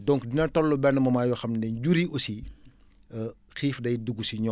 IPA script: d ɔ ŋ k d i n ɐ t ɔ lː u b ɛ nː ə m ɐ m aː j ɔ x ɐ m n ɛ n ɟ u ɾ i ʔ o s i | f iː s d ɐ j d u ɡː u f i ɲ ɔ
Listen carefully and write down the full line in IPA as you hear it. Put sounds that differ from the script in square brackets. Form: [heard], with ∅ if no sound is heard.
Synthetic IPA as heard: d ɔ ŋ k d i n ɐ t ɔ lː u b ɛ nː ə m ɐ m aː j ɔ x ɐ m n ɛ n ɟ u ɾ i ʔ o s i | [x] iː [f] d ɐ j d u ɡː u [s] i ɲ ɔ